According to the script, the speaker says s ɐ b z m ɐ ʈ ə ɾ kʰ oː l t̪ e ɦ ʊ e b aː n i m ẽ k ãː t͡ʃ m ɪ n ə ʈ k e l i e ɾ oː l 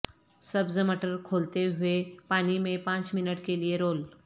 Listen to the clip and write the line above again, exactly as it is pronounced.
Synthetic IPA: s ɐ b z m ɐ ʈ ə ɾ kʰ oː l t̪ e ɦ ʊ e p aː n i m ẽ p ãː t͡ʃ m ɪ n ə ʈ k e l i e ɾ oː l